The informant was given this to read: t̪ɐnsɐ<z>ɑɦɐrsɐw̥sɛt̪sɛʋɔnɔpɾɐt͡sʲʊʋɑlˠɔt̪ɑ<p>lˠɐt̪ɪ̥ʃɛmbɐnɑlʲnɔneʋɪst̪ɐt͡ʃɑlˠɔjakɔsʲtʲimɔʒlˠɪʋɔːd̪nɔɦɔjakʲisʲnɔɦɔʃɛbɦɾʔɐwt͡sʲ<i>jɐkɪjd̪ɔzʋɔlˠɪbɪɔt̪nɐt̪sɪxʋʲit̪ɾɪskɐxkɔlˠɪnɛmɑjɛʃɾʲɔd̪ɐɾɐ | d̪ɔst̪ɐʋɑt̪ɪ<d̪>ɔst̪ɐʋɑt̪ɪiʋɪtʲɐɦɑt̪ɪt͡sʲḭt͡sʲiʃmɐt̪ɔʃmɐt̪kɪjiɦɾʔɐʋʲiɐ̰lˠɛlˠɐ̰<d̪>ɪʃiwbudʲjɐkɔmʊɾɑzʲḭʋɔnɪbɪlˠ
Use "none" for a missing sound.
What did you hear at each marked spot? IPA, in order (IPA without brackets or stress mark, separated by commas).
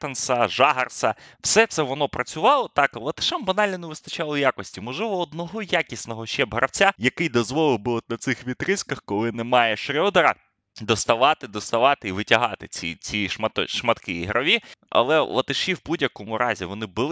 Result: ʒ, k, a, d̪, t̪